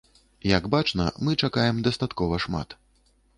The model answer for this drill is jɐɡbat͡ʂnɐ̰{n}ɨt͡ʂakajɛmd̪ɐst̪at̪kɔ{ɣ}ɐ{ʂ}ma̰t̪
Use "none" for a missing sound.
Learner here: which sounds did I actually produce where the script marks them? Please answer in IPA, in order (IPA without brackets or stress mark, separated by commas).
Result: m, v, ʂ